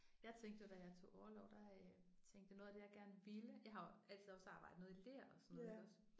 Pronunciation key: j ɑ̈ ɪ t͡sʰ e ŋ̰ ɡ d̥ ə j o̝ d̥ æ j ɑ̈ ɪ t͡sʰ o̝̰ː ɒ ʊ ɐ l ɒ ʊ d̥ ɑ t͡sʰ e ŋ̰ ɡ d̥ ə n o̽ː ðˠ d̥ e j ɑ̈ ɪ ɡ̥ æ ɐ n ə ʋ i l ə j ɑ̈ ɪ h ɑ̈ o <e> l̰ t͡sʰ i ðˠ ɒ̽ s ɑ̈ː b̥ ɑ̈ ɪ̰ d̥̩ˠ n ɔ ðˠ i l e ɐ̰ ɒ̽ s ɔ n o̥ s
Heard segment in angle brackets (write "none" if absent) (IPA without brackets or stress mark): æ